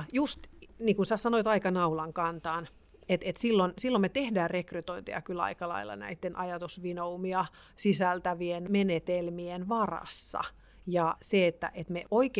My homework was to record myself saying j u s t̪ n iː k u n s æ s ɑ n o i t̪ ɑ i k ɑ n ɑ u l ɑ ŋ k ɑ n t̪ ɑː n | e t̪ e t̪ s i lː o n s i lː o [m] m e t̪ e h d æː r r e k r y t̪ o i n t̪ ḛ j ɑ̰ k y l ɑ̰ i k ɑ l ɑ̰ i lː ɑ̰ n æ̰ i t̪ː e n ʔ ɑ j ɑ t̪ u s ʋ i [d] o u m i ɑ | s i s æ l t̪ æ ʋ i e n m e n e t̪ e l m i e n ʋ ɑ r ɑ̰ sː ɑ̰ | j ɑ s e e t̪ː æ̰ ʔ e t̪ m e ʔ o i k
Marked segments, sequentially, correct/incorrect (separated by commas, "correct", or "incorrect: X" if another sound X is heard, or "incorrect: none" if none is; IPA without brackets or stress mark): correct, incorrect: n